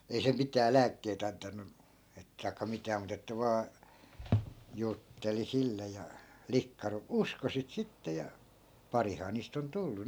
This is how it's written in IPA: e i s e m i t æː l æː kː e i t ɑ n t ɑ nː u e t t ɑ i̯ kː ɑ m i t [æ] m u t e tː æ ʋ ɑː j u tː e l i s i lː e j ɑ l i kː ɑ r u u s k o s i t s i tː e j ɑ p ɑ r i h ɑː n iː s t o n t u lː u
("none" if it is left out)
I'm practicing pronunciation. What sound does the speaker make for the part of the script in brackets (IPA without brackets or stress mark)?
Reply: æː